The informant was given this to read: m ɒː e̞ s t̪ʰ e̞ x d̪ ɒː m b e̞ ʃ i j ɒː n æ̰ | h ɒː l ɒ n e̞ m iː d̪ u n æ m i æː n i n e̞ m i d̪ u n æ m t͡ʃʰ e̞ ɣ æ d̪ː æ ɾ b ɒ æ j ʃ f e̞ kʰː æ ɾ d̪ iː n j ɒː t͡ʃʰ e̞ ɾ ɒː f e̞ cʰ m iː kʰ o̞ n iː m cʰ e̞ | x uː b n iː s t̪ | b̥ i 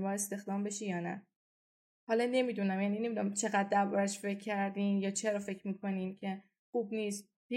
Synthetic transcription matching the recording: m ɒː e̞ s t̪ e̞ x d̪ ɒː m b e̞ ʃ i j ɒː n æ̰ | h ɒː l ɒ n e̞ m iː d̪ u n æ m j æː n i n e̞ m i d̪ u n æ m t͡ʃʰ e̞ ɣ æ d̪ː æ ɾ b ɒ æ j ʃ f e̞ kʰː æ ɾ d̪ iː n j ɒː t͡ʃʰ e̞ ɾ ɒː f e̞ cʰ m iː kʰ o̞ n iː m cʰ e̞ | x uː b n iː s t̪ | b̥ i